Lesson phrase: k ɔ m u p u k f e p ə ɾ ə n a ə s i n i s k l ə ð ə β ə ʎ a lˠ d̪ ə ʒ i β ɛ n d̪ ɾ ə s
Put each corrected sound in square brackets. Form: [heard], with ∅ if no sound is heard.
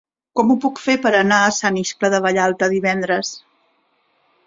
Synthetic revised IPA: k ɔ m u p u k f e p ə ɾ ə n a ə s [a] n i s k l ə ð ə β ə ʎ a lˠ [t̪] ə [ð] i β ɛ n d̪ ɾ ə s